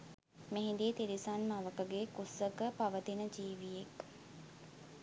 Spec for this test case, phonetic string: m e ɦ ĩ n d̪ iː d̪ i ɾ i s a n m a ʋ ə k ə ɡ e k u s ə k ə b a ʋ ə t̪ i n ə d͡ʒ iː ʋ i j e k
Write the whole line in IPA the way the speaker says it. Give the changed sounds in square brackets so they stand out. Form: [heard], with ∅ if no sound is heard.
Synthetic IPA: m e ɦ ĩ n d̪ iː [t̪] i ɾ i s a n m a ʋ ə k ə ɡ e k u s ə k ə [p] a ʋ ə t̪ i n ə d͡ʒ iː ʋ i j e k

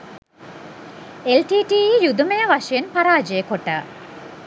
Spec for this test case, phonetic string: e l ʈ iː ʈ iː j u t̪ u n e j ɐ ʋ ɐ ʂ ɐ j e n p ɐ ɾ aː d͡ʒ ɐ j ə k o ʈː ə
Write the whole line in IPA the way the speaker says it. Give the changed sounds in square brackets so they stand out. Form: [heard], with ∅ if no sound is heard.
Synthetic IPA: e l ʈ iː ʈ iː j u [d̪] u [m] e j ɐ ʋ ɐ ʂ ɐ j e n p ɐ ɾ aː d͡ʒ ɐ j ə k o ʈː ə

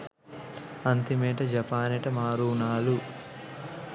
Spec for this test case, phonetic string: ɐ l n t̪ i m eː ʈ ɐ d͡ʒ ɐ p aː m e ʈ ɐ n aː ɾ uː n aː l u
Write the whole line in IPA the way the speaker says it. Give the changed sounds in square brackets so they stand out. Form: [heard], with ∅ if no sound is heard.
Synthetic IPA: ɐ [∅] n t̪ i m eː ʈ ɐ d͡ʒ ɐ p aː [n] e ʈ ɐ [m] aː ɾ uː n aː l u

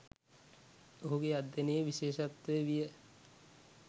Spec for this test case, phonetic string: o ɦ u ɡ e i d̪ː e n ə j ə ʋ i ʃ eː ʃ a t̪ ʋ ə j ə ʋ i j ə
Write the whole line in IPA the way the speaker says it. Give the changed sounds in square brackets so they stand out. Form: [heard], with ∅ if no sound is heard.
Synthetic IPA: o ɦ u ɡ e [a] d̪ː e n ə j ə ʋ i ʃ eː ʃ a t̪ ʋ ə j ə ʋ i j ə

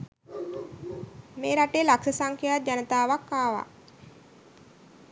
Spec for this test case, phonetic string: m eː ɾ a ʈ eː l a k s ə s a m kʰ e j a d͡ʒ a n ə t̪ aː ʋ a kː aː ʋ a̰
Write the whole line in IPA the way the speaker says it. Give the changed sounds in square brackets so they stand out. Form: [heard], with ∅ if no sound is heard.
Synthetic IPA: m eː ɾ a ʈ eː l a k s ə s a [ŋ] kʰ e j a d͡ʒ a n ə t̪ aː ʋ a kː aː ʋ a̰

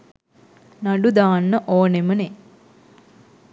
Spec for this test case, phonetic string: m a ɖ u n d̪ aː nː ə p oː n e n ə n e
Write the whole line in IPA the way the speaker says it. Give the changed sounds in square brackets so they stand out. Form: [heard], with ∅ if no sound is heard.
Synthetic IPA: [n] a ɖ u [∅] d̪ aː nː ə [ʔ] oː n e [m] ə n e

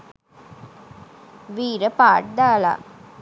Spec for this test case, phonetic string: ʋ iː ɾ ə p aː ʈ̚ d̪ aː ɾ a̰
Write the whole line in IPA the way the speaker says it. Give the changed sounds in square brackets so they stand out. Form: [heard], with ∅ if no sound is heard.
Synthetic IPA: ʋ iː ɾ ə p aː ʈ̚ d̪ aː [l] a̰

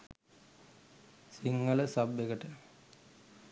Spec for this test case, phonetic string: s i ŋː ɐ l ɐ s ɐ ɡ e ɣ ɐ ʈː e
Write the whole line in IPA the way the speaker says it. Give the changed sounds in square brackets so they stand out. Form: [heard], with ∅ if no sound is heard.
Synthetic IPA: s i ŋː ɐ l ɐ s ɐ [b] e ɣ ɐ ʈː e

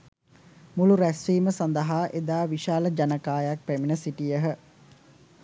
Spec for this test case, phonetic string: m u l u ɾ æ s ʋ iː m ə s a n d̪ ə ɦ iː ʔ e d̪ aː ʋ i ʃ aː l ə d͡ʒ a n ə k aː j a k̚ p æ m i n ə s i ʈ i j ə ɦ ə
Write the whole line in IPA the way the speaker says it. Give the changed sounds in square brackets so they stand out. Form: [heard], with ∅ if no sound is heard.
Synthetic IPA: m u l u ɾ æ s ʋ iː m ə s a n d̪ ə ɦ [aː] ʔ e d̪ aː ʋ i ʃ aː l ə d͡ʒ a n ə k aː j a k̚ p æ m i n ə s i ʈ i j ə ɦ ə

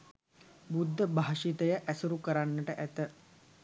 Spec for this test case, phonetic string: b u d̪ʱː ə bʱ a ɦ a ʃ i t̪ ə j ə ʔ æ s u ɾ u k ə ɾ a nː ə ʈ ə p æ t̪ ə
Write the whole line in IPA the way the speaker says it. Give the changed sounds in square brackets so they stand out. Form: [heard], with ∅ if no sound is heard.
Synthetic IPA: b u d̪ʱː ə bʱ a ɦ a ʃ i t̪ ə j ə ʔ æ s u ɾ u k ə ɾ a nː ə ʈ ə [ʔ] æ t̪ ə

